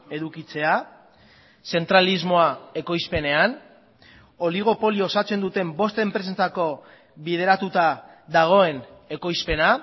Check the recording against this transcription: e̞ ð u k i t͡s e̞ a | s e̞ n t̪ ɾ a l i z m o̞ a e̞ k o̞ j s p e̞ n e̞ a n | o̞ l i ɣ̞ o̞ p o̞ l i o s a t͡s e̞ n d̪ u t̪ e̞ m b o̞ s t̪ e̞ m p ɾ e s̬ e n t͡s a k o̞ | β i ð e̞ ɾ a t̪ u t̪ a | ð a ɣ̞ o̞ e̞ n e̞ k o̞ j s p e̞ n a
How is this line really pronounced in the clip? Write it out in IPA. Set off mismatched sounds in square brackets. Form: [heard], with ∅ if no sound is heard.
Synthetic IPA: e̞ ð u k i t͡s e̞ a | s e̞ n t̪ ɾ a l i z m o̞ a e̞ k o̞ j s p e̞ n e̞ a n | o̞ l i ɣ̞ o̞ p o̞ l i o s a t͡s e̞ n d̪ u t̪ e̞ m b o̞ s t̪ e̞ m p ɾ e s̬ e n t͡s a k o̞ | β i ð e̞ ɾ a t̪ u t̪ a | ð a ɣ̞ o̞ e̞ n e̞ k o̞ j s p e̞ n a